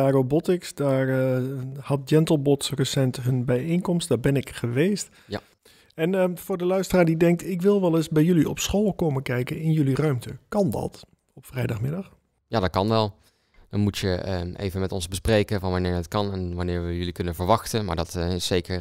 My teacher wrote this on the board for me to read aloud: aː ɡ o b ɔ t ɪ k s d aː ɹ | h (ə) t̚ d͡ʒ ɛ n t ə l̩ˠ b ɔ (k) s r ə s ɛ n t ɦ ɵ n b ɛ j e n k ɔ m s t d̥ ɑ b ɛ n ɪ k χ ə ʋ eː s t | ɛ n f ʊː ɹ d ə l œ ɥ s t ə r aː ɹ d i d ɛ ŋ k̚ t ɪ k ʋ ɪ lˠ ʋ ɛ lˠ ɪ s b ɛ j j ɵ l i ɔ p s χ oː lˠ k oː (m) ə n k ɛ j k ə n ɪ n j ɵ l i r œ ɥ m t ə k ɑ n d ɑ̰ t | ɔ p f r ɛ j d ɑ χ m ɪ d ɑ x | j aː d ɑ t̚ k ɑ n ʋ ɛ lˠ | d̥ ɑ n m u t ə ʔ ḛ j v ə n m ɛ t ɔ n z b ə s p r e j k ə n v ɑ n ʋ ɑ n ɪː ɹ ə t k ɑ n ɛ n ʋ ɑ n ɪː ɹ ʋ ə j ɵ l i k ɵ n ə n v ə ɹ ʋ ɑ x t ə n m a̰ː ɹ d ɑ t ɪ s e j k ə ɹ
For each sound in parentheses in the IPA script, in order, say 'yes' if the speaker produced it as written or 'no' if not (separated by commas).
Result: no, no, yes